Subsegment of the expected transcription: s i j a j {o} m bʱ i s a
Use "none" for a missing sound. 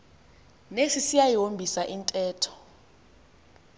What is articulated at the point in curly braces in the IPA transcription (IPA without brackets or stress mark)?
o